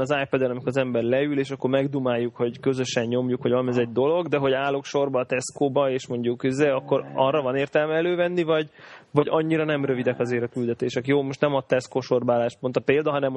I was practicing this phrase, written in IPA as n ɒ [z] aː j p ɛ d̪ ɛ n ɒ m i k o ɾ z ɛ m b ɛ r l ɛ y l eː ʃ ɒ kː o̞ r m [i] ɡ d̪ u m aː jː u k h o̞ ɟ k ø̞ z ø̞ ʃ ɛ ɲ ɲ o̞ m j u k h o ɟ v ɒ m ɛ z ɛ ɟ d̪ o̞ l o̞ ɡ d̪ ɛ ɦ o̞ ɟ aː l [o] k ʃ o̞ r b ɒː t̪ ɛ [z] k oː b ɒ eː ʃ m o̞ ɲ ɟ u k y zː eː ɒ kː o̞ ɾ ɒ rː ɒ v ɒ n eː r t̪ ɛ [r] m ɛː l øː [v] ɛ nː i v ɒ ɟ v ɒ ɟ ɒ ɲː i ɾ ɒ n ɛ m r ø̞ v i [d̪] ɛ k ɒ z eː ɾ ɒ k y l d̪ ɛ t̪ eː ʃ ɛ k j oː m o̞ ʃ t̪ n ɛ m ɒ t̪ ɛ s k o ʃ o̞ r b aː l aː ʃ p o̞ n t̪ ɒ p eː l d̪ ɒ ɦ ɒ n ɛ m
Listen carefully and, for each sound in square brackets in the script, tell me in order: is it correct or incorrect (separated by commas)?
correct, incorrect, correct, incorrect, incorrect, correct, correct